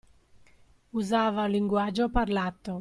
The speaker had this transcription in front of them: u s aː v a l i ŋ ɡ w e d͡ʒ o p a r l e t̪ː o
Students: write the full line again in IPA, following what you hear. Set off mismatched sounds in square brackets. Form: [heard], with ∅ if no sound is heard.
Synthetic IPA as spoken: u [z] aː v a l i ŋ ɡ w [a] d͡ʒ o p a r l [a] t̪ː o